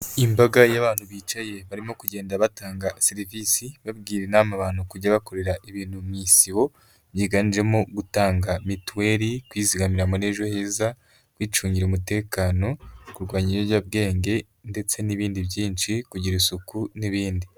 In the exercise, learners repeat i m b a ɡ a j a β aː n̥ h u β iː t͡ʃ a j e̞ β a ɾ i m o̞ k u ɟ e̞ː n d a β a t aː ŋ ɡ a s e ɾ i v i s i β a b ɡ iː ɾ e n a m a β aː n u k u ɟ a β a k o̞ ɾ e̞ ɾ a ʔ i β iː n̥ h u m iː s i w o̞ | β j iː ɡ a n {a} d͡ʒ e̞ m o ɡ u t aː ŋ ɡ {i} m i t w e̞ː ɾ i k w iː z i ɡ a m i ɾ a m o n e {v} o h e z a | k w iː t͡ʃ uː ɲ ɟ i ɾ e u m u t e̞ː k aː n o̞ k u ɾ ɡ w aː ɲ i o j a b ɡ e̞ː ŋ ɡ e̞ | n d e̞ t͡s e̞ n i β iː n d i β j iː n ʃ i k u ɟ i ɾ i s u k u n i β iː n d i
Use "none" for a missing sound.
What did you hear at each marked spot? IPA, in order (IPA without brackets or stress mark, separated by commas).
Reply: i, a, ʒ